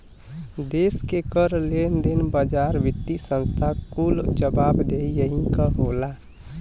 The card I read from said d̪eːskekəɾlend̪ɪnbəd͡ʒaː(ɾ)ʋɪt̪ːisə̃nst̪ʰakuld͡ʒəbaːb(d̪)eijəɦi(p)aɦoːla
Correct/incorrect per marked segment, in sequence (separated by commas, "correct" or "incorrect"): correct, correct, incorrect